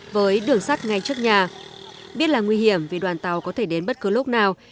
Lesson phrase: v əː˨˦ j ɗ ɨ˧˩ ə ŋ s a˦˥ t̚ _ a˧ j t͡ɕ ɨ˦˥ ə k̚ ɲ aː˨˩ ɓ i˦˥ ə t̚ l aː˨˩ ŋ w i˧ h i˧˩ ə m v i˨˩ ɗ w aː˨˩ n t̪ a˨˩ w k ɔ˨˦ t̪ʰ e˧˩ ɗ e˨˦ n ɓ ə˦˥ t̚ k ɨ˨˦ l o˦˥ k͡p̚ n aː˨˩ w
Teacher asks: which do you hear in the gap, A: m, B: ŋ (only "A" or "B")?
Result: B